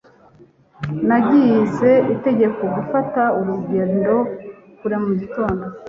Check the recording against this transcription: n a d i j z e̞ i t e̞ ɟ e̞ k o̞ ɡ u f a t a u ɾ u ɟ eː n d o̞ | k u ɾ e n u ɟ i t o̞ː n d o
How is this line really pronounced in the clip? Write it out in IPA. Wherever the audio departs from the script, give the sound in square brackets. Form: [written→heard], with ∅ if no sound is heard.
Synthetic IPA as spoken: n a [d→ɟ] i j z e̞ i t e̞ ɟ e̞ k o̞ ɡ u f a t a u ɾ u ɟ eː n d o̞ | k u ɾ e [n→m] u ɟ i t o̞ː n d o